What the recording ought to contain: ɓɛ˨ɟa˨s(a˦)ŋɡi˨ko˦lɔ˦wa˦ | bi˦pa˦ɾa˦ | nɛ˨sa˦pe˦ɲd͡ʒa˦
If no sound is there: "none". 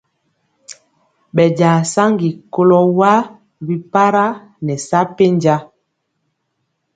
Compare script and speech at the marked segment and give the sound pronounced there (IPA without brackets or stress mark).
a˦